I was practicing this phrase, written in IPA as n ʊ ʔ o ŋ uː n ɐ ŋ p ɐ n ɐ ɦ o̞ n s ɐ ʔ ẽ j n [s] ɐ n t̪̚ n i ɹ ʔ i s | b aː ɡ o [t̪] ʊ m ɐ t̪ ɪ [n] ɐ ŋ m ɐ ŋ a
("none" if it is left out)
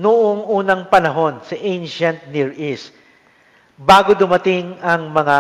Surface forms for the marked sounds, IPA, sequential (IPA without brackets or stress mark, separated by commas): ʃ, d̪, ŋ